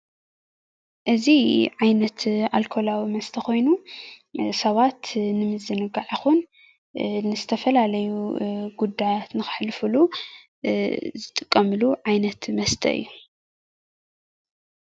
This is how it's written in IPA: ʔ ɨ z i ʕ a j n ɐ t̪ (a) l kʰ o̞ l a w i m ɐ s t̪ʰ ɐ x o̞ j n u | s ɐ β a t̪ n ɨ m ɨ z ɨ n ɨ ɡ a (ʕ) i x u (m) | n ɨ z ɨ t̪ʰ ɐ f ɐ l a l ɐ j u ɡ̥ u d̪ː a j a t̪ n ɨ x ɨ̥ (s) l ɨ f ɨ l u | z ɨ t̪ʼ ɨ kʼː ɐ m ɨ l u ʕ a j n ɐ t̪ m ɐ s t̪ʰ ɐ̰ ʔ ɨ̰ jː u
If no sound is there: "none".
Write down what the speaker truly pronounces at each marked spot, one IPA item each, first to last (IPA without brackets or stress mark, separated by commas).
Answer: a, ʕ, n, ħ